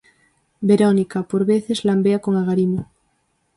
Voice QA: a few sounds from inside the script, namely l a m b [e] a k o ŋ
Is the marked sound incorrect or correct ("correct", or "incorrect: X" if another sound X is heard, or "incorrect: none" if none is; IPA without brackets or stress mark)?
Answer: correct